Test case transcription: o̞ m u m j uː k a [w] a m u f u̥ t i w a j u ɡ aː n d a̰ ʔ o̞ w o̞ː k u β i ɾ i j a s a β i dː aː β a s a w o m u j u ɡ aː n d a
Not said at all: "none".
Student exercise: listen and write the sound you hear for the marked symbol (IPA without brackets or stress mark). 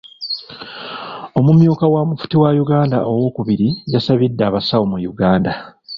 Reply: w